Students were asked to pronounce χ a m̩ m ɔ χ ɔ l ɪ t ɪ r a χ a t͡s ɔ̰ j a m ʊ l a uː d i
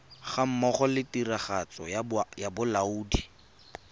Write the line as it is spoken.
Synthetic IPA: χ a m̩ m ɔ χ ɔ l ɪ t i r a χ a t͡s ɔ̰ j a b ʊ l a uː d i